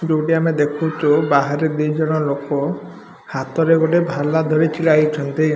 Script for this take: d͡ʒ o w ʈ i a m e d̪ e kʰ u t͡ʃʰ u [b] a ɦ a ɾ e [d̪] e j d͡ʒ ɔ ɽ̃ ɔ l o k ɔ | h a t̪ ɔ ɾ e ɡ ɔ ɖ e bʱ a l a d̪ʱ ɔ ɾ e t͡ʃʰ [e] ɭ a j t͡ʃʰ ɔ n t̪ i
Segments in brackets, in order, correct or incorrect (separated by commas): correct, correct, incorrect